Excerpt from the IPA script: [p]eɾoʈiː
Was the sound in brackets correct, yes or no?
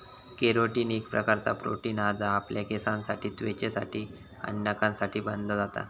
no